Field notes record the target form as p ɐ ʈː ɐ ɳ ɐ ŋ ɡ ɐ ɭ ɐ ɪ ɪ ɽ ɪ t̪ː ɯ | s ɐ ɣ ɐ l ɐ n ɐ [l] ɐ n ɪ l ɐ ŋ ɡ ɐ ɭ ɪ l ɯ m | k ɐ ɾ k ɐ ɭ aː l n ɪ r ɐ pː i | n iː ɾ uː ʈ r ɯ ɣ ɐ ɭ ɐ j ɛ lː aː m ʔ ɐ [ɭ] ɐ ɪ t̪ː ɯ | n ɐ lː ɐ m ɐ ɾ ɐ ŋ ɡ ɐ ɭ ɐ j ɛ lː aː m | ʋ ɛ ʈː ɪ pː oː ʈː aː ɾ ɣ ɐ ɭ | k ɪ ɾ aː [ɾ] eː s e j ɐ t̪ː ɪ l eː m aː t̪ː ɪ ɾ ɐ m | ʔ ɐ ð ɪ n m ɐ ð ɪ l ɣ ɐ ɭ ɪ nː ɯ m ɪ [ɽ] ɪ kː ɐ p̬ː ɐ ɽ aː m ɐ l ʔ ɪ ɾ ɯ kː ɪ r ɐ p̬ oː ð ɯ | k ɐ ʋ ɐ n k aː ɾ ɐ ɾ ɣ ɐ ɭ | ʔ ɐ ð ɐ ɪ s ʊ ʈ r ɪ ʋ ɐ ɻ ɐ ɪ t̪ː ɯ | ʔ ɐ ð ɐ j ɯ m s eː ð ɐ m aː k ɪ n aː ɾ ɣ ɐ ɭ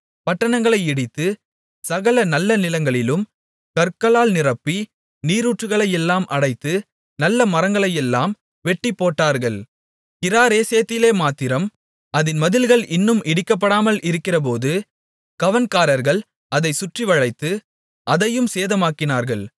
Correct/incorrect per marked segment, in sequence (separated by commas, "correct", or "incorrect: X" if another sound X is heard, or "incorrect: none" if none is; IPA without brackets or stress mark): incorrect: lː, incorrect: ɽ, correct, correct